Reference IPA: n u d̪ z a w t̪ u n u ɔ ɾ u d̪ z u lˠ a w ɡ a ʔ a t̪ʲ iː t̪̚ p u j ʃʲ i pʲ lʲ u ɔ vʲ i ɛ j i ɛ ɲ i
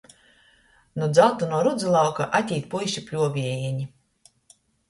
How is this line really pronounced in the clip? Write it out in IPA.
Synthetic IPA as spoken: n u d̪ z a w t̪ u n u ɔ ɾ u d̪ z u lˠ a w k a ʔ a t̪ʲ iː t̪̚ p u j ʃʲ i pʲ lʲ u ɔ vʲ i ɛ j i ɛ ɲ i